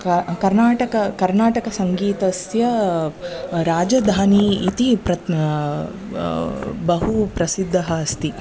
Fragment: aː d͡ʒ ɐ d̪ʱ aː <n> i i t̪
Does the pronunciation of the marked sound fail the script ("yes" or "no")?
no